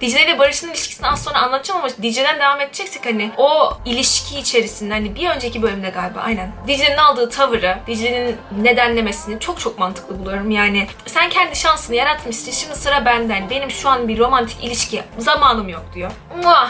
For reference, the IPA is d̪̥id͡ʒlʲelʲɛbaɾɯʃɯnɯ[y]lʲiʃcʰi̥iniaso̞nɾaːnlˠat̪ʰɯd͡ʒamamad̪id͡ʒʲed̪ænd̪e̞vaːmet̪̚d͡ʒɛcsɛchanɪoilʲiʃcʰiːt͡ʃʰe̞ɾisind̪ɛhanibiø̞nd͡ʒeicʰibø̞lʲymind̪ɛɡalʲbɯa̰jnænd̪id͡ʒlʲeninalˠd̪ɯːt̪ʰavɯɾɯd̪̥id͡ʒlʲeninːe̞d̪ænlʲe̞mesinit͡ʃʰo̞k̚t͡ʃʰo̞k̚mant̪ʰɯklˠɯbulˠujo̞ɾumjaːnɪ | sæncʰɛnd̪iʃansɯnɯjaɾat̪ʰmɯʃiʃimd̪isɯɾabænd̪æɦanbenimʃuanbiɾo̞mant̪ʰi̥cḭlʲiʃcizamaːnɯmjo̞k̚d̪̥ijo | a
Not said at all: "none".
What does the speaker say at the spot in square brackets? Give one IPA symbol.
i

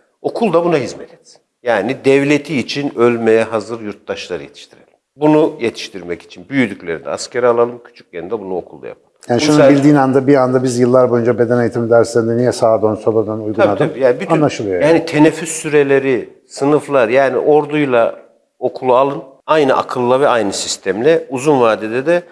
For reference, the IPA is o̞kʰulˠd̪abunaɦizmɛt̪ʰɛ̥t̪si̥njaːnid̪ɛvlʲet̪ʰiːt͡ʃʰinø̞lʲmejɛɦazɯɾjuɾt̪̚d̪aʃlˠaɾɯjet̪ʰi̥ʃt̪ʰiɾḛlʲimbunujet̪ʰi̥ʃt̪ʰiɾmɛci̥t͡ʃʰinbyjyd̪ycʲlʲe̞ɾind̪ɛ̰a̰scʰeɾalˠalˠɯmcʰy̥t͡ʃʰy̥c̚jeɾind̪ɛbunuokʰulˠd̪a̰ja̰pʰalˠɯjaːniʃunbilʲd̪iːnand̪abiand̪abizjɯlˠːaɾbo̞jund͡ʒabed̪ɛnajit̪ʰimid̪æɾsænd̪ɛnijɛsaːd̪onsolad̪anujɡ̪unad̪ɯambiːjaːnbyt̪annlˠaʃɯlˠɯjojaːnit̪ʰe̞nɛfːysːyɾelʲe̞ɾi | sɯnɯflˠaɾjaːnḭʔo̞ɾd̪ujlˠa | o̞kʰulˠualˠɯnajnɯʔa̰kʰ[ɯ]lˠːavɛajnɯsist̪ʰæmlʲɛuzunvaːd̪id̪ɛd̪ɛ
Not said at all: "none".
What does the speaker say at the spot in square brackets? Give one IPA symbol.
ɯ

